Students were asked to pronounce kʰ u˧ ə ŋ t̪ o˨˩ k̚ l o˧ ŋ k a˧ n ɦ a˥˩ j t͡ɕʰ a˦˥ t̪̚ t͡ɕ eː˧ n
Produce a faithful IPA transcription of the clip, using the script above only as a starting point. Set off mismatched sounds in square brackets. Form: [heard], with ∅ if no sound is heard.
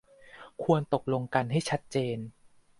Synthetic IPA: kʰ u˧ ə [n] t̪ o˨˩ k̚ l o˧ ŋ k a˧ n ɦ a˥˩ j t͡ɕʰ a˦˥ t̪̚ t͡ɕ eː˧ n